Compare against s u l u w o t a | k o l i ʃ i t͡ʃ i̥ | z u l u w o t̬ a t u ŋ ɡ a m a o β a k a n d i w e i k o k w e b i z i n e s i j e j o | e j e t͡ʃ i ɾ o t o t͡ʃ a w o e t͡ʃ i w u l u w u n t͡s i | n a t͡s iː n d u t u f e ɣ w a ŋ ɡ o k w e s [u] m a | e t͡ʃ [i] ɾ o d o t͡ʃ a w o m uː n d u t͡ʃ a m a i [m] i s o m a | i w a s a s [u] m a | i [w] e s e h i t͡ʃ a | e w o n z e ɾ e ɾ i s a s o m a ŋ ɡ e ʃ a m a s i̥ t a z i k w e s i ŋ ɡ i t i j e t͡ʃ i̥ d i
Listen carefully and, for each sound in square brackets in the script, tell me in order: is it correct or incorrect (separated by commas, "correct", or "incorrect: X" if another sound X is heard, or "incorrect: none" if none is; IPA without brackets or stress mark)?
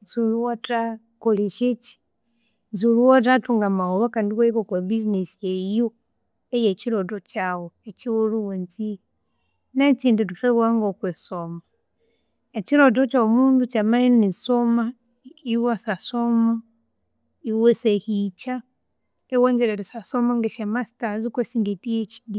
incorrect: o, correct, incorrect: n, incorrect: o, correct